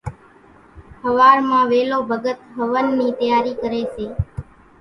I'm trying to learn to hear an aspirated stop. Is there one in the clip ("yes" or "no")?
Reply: no